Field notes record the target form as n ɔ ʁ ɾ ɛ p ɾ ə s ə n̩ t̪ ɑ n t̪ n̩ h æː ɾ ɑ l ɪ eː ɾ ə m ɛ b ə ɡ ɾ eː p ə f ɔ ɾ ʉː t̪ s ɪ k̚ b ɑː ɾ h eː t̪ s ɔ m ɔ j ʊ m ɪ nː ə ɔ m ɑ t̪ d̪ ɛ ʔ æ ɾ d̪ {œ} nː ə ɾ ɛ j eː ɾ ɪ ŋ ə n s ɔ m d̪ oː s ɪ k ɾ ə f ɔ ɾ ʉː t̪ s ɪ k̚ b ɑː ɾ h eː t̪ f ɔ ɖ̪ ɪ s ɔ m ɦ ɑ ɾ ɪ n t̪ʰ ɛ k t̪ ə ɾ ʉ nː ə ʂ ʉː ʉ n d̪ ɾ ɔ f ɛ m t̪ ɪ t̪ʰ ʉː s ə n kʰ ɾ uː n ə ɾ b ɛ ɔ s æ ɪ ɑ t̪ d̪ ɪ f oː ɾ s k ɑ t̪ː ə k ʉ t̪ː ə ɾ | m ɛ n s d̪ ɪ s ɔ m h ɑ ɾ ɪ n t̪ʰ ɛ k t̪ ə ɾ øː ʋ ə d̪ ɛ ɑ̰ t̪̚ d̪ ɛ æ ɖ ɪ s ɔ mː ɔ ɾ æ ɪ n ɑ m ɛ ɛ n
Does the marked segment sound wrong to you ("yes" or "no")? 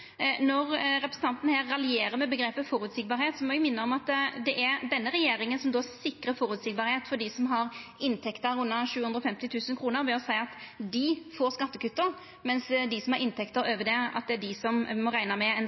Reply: yes